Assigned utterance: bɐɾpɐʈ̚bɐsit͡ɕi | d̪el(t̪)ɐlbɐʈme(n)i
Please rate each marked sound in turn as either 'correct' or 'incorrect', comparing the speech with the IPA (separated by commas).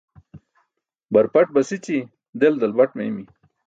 incorrect, incorrect